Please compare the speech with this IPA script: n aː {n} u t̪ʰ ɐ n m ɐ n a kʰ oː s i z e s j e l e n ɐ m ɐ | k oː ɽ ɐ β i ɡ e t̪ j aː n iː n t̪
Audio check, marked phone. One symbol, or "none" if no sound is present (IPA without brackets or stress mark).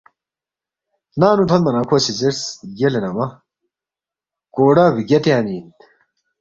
n